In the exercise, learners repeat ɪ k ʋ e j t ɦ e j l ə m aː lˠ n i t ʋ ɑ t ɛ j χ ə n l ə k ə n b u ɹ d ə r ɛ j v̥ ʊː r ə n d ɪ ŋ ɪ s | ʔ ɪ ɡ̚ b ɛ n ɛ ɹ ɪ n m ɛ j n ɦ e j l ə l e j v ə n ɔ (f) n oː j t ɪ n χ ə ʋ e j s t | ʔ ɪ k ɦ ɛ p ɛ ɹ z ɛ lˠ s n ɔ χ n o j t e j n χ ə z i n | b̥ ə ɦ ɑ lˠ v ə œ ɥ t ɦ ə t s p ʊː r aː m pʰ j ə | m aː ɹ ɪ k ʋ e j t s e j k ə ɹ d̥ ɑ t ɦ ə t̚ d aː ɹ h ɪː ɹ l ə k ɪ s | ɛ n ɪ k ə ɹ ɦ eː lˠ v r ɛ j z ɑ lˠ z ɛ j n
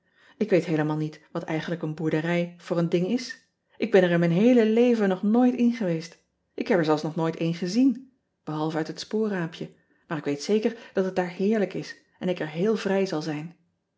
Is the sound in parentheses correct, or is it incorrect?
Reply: incorrect